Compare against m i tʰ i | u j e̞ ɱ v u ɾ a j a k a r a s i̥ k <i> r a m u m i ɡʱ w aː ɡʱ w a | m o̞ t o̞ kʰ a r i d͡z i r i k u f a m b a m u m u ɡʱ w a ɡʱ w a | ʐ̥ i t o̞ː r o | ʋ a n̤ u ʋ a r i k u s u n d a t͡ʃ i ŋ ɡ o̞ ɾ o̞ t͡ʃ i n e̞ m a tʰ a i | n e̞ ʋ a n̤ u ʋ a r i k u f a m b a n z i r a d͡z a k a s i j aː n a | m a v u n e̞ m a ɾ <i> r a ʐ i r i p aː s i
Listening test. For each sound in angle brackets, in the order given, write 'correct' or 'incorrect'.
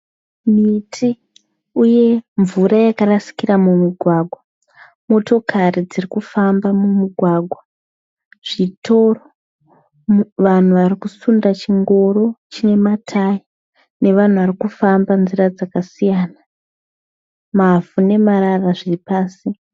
correct, incorrect

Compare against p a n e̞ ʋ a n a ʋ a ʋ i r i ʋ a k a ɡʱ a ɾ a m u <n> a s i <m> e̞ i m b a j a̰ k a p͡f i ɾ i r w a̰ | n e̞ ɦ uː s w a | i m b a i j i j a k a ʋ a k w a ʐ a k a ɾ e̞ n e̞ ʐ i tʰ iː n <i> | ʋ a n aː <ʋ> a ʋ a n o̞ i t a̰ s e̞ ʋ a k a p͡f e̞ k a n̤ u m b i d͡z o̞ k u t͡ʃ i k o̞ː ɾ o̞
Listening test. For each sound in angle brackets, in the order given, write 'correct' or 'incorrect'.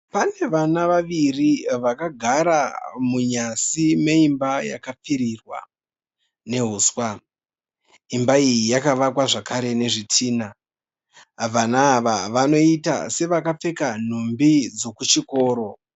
incorrect, correct, incorrect, correct

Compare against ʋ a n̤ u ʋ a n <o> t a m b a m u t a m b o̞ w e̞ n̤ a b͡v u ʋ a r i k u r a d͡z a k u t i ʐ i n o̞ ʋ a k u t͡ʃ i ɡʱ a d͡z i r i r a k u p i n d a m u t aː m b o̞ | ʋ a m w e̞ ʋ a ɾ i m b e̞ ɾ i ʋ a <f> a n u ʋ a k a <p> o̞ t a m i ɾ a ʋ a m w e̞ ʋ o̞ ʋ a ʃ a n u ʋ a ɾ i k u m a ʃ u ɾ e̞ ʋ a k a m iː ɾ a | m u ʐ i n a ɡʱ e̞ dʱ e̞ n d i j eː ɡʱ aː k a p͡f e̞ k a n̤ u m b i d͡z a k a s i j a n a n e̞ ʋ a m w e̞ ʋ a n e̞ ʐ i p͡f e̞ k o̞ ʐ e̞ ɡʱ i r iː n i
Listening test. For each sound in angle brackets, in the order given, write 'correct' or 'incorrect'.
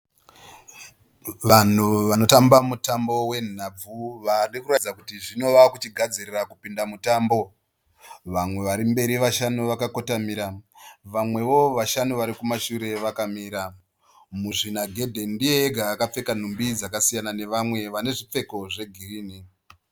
correct, incorrect, incorrect

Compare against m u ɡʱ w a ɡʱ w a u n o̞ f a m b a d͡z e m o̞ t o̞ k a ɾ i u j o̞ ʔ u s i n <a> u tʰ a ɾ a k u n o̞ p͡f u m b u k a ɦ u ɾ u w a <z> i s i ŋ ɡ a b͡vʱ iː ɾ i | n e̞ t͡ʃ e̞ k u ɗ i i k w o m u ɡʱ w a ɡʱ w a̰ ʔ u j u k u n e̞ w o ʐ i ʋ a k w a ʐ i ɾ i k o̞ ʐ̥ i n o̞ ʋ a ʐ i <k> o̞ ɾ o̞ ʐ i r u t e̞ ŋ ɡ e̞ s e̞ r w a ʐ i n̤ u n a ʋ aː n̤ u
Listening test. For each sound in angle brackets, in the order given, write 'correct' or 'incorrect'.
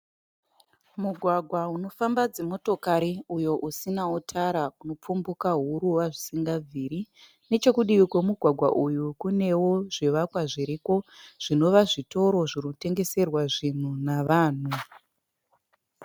correct, incorrect, incorrect

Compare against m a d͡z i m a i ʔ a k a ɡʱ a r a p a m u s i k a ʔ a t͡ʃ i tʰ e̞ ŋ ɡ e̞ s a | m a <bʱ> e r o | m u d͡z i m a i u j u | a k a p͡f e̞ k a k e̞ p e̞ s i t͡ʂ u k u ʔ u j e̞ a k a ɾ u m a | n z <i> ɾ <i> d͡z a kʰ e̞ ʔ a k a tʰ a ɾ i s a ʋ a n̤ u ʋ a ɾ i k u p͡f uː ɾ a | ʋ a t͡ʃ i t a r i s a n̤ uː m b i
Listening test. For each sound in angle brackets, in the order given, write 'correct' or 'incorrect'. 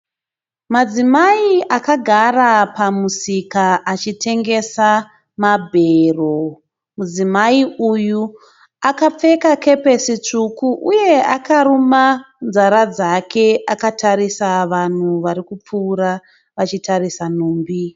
correct, incorrect, incorrect

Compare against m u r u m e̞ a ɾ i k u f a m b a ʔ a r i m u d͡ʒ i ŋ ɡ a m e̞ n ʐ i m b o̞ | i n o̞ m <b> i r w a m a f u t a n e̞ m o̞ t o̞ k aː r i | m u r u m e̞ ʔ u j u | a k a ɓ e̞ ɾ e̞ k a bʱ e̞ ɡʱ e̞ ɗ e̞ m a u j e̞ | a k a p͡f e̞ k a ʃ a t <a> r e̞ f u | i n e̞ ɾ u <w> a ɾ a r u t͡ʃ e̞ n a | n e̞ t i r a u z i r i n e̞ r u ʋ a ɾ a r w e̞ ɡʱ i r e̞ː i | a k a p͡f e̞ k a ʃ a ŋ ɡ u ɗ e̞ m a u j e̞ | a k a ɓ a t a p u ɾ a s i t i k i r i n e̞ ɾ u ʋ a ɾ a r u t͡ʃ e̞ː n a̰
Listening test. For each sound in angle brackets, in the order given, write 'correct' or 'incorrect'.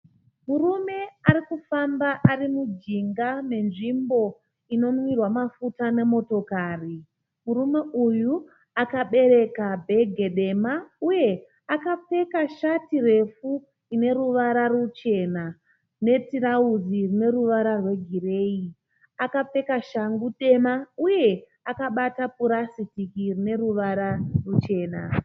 incorrect, incorrect, incorrect

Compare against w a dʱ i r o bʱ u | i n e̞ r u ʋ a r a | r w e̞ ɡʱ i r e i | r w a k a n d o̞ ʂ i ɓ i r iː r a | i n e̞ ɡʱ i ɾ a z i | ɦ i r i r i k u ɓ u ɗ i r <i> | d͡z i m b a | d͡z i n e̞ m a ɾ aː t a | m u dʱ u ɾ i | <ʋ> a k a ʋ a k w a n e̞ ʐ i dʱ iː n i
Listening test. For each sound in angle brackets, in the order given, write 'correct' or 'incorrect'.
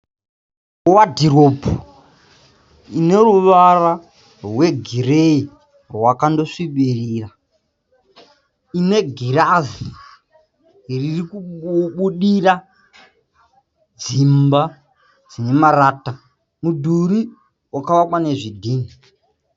incorrect, incorrect

